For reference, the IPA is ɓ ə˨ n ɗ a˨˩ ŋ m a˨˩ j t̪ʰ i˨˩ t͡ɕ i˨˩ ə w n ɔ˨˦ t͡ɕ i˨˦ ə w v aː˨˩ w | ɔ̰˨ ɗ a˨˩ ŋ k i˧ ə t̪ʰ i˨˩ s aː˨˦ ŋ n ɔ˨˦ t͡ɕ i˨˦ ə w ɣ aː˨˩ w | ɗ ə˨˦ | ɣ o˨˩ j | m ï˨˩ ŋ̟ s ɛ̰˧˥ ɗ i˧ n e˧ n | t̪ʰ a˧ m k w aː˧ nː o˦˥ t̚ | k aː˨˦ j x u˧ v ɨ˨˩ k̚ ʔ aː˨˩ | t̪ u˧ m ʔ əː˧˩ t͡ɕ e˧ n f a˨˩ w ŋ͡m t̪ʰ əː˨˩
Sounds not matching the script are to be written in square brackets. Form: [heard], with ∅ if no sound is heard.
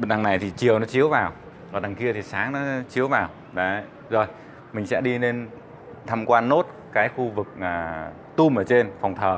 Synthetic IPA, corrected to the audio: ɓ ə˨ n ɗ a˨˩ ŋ [n] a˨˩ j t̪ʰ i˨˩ t͡ɕ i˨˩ ə w n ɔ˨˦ t͡ɕ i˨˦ ə w v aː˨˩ w | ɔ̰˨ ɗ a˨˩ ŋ k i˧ ə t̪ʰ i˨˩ s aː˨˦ ŋ n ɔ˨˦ t͡ɕ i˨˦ ə w [v] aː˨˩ w | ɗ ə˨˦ | [z] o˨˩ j | m ï˨˩ ŋ̟ s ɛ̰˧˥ ɗ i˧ n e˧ n | t̪ʰ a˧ m k w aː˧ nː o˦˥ t̚ | k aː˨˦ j x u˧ v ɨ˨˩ k̚ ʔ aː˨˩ | t̪ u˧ m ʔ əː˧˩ t͡ɕ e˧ n f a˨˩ w ŋ͡m t̪ʰ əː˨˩